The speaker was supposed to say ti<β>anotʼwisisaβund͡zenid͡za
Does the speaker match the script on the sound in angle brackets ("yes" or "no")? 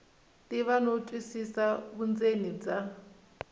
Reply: yes